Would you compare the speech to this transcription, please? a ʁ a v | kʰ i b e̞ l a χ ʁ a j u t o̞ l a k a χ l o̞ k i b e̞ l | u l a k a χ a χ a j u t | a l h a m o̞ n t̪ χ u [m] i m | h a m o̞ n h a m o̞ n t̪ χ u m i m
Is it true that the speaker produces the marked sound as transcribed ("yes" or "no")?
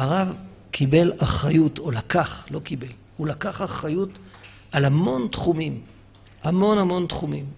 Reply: yes